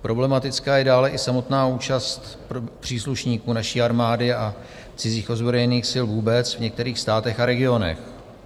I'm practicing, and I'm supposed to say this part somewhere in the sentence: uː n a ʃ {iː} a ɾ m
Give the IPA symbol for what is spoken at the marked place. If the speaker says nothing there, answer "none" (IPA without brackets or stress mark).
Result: iː